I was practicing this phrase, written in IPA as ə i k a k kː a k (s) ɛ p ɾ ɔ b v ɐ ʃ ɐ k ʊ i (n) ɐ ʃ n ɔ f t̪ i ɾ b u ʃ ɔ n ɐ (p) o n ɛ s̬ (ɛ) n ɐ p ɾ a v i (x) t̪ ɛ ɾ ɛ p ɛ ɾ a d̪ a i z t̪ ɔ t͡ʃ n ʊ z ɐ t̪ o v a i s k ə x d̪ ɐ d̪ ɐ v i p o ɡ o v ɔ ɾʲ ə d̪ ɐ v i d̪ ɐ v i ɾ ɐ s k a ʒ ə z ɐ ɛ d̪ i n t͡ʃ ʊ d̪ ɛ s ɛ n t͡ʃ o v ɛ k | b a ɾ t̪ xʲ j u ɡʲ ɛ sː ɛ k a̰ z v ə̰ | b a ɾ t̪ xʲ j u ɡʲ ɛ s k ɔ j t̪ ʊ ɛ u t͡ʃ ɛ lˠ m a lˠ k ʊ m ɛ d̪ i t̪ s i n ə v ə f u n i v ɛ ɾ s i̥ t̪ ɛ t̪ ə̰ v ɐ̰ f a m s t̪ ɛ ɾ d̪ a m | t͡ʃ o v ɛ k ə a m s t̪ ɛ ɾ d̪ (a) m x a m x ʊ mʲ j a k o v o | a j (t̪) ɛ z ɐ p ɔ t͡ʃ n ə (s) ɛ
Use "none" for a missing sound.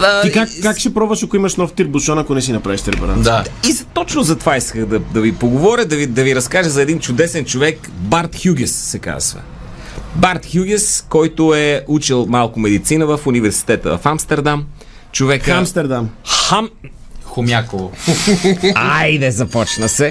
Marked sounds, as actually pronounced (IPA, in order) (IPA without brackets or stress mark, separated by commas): ʃ, m, k, i, ʃ, a, d̪, s